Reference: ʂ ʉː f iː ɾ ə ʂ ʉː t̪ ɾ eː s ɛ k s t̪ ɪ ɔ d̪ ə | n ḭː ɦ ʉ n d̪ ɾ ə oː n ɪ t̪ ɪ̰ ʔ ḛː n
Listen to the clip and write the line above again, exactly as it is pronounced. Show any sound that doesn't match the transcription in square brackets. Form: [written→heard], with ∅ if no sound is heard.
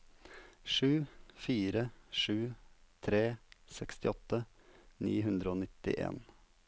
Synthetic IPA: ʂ ʉː f iː ɾ ə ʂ ʉː [t̪→t̪ʰ] ɾ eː s ɛ k s t̪ ɪ ɔ [d̪→t̪] ə | n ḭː ɦ ʉ n d̪ ɾ ə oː n ɪ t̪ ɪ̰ ʔ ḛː n